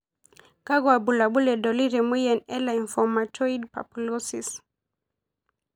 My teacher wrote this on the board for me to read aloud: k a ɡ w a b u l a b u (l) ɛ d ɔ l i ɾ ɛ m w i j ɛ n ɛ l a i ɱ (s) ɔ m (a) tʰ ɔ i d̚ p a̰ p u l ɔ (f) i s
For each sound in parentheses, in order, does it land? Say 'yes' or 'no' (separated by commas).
yes, no, yes, no